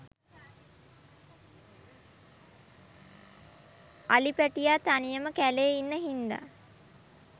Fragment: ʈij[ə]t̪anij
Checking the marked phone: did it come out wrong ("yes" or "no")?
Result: yes